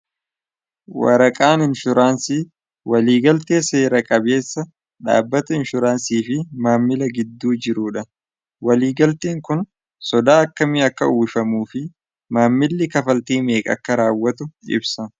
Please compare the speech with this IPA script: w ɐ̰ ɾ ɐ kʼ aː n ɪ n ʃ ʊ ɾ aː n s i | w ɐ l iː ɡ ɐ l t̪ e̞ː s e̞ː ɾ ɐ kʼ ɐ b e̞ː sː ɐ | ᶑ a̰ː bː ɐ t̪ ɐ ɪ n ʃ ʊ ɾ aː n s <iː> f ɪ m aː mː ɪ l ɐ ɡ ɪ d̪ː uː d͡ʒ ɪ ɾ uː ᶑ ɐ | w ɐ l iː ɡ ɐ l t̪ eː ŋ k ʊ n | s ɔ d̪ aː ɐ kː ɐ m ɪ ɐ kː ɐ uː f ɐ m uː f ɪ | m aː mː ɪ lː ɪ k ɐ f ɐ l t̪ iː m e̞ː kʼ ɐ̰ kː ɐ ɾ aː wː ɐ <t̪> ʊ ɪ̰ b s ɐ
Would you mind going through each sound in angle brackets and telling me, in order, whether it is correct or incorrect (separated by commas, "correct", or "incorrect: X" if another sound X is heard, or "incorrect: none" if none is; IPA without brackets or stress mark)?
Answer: correct, correct